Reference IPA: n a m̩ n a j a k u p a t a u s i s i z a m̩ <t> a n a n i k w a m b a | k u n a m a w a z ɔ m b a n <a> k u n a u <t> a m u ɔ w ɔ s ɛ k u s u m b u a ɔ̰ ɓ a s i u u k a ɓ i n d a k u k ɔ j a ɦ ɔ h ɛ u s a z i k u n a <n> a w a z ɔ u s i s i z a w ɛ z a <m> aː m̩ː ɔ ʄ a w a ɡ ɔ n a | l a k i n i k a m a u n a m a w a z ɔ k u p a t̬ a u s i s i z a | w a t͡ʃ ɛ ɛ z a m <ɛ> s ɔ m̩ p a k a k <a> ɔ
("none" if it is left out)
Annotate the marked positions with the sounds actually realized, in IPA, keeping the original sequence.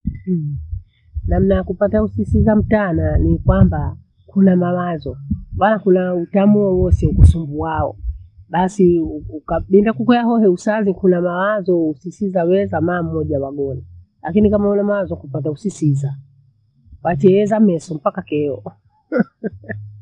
t, a, t, m, m, ɛ, ɛ

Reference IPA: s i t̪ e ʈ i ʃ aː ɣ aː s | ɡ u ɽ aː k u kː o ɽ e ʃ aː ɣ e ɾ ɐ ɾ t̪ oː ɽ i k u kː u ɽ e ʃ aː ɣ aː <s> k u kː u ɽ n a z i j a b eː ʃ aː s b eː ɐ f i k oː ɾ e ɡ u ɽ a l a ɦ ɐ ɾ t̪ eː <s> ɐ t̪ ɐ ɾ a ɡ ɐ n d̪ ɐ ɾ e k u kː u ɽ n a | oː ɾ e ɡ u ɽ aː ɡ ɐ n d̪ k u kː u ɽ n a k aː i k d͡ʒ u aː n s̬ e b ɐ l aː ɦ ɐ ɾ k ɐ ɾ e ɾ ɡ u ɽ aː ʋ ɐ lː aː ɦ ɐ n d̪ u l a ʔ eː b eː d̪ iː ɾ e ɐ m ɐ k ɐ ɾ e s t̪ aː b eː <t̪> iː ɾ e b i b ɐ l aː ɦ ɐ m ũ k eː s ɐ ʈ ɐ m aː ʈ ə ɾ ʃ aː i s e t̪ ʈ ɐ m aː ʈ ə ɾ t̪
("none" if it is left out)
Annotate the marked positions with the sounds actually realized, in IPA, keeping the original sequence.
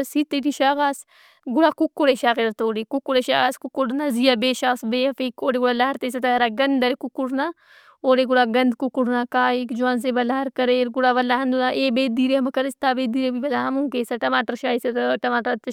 s, s, d̪

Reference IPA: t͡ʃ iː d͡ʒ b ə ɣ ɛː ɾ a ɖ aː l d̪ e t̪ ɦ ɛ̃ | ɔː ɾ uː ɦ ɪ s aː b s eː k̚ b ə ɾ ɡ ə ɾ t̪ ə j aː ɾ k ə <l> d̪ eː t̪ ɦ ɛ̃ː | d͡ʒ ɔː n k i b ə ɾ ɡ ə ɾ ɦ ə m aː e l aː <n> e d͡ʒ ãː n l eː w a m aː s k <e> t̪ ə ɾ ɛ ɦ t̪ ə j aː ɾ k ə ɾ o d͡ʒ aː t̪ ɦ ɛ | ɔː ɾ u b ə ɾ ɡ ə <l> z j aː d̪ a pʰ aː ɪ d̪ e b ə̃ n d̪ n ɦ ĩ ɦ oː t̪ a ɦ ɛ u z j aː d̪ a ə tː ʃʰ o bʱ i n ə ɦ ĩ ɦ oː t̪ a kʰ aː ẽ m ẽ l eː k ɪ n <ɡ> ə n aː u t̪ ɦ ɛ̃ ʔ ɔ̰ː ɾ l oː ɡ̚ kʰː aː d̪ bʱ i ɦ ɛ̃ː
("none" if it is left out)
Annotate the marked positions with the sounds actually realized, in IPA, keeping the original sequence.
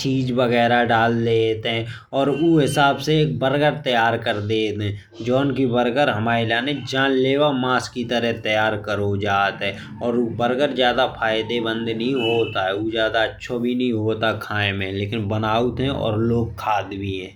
ɾ, n, i, ɾ, b

